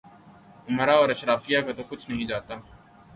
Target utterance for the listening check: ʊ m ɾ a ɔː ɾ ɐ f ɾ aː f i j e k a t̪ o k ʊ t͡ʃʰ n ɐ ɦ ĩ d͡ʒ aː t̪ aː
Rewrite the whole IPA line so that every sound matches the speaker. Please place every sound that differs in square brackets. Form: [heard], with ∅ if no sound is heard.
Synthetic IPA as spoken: ʊ m ɾ a ɔː ɾ ɐ [ʃ] ɾ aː f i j [a] k a t̪ o k ʊ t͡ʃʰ n ɐ ɦ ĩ d͡ʒ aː t̪ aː